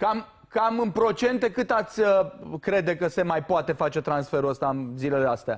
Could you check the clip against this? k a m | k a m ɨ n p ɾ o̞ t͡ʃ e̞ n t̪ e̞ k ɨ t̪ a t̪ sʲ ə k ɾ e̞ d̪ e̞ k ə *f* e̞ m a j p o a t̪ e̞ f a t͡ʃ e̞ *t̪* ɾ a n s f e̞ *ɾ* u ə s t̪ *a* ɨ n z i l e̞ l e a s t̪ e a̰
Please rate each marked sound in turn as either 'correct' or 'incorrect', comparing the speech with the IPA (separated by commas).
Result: incorrect, correct, correct, correct